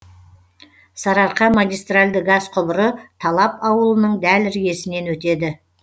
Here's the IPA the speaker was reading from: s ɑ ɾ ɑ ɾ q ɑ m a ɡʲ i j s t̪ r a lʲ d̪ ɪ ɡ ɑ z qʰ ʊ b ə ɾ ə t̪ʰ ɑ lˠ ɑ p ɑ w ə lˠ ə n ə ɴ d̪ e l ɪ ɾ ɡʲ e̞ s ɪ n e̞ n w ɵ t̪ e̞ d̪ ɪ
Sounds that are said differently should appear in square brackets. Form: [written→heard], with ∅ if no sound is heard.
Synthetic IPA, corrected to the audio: s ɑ ɾ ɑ ɾ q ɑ m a ɡʲ i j s t̪ r a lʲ d̪ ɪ ɡ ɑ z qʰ ʊ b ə ɾ ə t̪ʰ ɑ lˠ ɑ p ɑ w ə lˠ ə n ə ɴ d̪ [e→æ] l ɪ ɾ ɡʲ e̞ s ɪ n e̞ n w ɵ t̪ e̞ d̪ ɪ

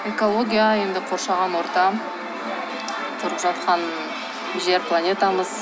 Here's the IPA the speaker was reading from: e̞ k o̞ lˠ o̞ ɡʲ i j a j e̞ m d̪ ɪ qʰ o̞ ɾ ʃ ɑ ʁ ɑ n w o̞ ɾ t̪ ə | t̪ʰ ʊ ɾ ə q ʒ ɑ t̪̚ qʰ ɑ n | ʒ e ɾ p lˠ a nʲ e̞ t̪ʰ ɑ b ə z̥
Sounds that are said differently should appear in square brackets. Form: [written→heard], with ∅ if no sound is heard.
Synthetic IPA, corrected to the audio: e̞ k o̞ lˠ o̞ ɡʲ i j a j e̞ [m→n] d̪ ɪ qʰ o̞ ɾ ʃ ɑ ʁ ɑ n w o̞ ɾ t̪ [ə→ɑ] | t̪ʰ ʊ ɾ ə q ʒ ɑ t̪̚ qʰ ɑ n | ʒ e ɾ p lˠ a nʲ e̞ [t̪ʰ→t̪] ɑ [b→m] ə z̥

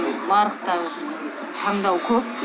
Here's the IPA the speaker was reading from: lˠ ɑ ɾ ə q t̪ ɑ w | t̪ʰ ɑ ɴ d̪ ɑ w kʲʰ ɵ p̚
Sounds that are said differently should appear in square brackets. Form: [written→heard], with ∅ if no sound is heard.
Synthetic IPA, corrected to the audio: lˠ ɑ ɾ ə q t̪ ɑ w | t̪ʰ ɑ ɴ d̪ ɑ w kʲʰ ɵ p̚

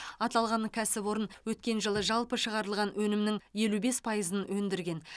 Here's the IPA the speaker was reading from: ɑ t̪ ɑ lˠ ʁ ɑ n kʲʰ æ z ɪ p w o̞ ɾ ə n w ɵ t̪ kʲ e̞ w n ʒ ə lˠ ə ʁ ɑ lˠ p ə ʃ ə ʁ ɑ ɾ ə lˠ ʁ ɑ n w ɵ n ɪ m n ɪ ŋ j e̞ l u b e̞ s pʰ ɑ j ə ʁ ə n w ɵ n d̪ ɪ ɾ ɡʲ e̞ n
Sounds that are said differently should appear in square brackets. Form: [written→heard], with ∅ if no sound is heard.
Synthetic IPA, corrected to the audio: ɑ t̪ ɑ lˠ ʁ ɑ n kʲʰ æ [z→s] ɪ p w o̞ ɾ ə n w ɵ t̪ kʲ e̞ [w→∅] n ʒ ə lˠ ə [ʁ→ʒ] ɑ lˠ p ə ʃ ə ʁ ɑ ɾ ə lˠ ʁ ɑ n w ɵ n ɪ m n ɪ ŋ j e̞ l u b e̞ s pʰ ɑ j ə [ʁ→z] ə n w ɵ n d̪ ɪ ɾ ɡʲ e̞ n

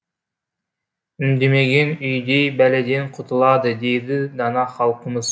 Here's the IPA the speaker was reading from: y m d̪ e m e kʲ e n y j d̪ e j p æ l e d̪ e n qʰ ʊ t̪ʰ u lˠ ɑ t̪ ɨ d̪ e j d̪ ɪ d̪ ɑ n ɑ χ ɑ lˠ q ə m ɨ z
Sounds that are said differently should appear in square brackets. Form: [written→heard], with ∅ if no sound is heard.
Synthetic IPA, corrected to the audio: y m d̪ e m e [kʲ→ɡʲ] e n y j d̪ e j [p→b] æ l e d̪ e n qʰ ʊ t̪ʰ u lˠ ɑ [t̪→d̪] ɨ d̪ e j d̪ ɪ d̪ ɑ n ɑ χ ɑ lˠ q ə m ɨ z

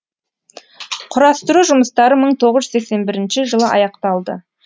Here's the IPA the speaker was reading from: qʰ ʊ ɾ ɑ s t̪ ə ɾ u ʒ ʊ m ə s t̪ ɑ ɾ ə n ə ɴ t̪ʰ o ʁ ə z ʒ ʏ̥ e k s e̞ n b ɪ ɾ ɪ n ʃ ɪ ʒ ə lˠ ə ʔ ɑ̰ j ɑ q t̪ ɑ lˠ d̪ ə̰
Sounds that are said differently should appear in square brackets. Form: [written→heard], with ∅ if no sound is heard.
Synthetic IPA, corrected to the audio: qʰ ʊ ɾ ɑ s t̪ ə ɾ u ʒ ʊ m ə s t̪ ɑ ɾ ə [n→m] ə ɴ t̪ʰ o ʁ ə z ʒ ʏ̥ e k s e̞ n b ɪ ɾ ɪ n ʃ ɪ ʒ ə lˠ ə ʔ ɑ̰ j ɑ q t̪ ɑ lˠ d̪ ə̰

